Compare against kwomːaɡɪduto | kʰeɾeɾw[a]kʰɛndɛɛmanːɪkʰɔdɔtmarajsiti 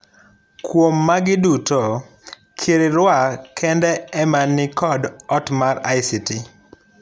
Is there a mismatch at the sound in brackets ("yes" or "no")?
no